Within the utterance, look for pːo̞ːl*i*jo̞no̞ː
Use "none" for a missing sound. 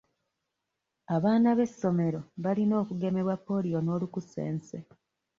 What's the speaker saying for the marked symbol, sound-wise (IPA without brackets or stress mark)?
i